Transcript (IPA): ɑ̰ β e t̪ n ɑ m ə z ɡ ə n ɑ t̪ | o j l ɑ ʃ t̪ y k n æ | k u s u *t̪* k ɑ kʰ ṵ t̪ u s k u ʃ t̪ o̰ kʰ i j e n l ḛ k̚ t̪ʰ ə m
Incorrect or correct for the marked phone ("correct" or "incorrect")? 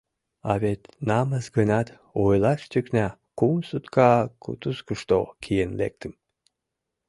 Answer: correct